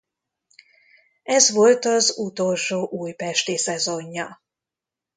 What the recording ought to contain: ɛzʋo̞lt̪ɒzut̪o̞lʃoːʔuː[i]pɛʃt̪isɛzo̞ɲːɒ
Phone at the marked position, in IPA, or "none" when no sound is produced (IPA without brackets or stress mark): j